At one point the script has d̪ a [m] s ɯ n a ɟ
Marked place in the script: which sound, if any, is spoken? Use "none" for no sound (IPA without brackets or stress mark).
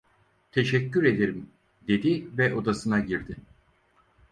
none